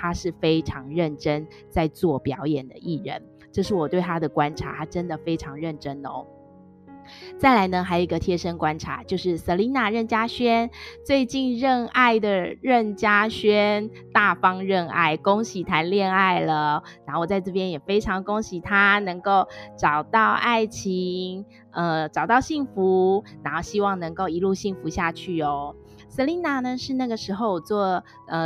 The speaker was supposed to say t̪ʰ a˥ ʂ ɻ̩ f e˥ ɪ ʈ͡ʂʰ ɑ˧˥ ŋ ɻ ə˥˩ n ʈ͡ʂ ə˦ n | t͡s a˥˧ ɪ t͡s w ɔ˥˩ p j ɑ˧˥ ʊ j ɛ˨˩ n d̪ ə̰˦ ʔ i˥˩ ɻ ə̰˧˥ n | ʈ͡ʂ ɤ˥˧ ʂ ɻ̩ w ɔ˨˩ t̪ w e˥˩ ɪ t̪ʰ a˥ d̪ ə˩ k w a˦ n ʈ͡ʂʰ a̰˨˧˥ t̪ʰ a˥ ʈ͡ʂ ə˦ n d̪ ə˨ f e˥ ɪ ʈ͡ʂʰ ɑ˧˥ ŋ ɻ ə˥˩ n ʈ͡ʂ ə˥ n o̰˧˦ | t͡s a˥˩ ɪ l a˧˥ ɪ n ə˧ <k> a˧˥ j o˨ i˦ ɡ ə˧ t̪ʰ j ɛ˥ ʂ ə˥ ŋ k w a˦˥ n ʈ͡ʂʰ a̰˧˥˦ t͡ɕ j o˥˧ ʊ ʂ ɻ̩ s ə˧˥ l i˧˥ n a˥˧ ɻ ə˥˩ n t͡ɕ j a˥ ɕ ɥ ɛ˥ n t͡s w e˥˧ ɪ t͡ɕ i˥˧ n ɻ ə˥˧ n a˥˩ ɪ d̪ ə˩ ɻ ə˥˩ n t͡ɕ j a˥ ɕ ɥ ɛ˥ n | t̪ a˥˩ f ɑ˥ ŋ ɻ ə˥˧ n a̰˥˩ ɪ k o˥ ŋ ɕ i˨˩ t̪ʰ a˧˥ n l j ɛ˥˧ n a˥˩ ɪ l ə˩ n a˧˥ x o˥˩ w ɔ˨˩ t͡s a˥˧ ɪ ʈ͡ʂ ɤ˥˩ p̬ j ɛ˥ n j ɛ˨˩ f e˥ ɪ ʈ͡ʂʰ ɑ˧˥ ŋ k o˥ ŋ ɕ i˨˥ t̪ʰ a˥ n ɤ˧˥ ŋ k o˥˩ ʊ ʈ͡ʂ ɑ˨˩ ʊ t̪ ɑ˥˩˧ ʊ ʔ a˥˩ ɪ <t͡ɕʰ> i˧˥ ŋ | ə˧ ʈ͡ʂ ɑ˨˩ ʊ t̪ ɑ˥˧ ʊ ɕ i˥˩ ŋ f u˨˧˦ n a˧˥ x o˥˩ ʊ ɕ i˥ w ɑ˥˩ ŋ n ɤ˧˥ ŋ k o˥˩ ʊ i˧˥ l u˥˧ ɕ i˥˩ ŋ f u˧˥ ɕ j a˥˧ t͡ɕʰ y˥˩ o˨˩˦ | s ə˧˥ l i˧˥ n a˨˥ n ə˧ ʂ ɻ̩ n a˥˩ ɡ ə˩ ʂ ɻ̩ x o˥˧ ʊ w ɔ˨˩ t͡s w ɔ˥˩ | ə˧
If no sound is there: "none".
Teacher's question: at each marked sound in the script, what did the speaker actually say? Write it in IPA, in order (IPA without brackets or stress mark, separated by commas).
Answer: x, t͡ɕʰ